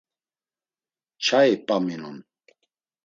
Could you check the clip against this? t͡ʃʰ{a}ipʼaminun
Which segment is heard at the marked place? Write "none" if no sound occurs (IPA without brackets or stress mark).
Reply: a